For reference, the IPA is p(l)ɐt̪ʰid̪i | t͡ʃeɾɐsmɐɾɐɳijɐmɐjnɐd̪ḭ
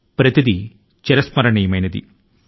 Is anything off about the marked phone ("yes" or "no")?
yes